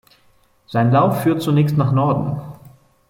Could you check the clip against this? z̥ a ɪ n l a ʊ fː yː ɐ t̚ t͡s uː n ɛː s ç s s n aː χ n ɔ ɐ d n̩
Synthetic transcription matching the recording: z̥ a ɪ n l a ʊ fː yː ɐ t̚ t͡s u n ɛː ç s t n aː χ n ɔ ɐ d n̩